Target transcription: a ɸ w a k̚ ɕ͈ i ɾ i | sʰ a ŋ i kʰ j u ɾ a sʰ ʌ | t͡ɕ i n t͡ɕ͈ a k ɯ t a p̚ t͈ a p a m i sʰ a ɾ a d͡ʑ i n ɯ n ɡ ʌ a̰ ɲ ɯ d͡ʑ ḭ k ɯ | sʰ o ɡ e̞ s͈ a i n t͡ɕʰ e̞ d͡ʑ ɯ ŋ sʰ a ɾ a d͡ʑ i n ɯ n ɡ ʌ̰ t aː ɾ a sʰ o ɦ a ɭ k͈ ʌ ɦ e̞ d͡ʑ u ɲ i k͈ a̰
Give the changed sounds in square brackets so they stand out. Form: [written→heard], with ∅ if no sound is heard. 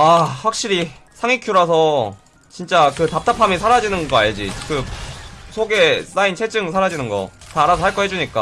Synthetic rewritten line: a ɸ w a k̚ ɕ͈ i ɾ i | sʰ a ŋ i kʰ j u ɾ a sʰ ʌ | t͡ɕ i n t͡ɕ͈ a k ɯ t a p̚ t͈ a [p→pʰ] a m i sʰ a ɾ a d͡ʑ i n ɯ n ɡ ʌ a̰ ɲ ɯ d͡ʑ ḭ k ɯ | sʰ o ɡ e̞ s͈ a i n t͡ɕʰ e̞ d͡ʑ ɯ ŋ sʰ a ɾ a d͡ʑ i n ɯ n ɡ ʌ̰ t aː ɾ a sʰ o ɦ a ɭ k͈ ʌ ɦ e̞ d͡ʑ u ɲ i k͈ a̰